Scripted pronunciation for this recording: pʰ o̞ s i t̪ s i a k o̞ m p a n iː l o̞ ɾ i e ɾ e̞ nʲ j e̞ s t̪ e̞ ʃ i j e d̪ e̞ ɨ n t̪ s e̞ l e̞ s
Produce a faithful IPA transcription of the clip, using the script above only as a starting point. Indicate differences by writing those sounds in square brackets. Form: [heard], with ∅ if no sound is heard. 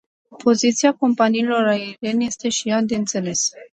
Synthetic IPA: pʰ o̞ [z] i t̪ s i a k o̞ m p a n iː l o̞ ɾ [a] e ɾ e̞ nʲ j e̞ s t̪ e̞ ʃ i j [a] d̪ e̞ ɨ n t̪ s e̞ l e̞ s